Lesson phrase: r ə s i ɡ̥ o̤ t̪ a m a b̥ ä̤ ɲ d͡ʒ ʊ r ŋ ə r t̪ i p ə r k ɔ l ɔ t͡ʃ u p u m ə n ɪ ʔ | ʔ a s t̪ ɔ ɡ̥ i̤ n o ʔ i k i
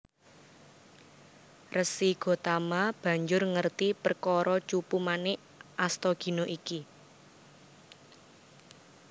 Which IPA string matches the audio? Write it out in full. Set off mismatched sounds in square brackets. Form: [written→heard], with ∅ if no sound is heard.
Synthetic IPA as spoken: r ə s i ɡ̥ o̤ t̪ a m a b̥ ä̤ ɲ d͡ʒ ʊ r ŋ ə r t̪ i p ə r k ɔ [l→ɾ] ɔ t͡ʃ u p u m [ə→a] n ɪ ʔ | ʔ a s t̪ ɔ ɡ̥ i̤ n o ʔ i k i